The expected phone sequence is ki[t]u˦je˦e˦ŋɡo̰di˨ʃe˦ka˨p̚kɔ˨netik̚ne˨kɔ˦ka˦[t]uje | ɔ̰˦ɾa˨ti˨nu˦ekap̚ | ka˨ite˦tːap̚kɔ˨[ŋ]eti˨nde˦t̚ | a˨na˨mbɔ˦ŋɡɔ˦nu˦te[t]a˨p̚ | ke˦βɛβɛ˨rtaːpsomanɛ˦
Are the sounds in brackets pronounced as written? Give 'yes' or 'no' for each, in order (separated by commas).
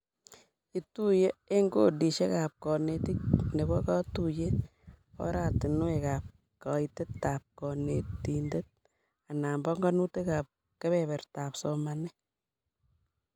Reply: yes, yes, no, no